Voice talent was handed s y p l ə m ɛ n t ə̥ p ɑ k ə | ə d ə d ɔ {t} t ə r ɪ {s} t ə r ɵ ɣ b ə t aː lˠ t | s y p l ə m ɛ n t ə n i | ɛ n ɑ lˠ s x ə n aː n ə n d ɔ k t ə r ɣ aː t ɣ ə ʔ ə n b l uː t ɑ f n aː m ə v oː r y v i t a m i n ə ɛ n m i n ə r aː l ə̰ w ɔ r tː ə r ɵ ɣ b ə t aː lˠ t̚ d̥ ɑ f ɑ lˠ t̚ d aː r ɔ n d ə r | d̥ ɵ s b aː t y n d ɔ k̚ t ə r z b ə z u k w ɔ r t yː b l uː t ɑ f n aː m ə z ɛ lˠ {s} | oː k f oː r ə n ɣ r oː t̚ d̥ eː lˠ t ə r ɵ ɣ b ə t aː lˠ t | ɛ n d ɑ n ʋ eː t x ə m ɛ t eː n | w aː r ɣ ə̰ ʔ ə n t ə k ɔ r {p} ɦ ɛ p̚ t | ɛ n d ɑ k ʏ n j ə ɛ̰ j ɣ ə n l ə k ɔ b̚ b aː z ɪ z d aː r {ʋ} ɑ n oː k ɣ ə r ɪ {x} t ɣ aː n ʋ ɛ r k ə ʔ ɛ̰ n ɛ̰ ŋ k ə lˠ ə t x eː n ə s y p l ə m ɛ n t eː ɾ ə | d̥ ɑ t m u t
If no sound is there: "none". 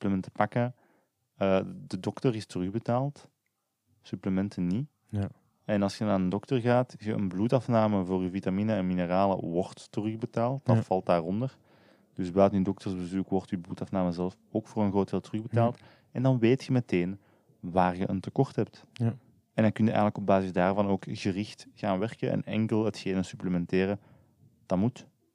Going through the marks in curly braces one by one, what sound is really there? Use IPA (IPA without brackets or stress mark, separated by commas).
k, s, f, t, v, x